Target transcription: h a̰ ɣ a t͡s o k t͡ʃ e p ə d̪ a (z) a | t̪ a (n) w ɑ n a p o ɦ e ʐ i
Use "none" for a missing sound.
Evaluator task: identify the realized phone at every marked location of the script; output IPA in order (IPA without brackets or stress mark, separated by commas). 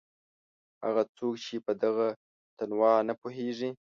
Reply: ɣ, n